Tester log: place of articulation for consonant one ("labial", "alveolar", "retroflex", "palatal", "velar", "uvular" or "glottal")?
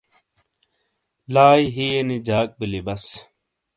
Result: alveolar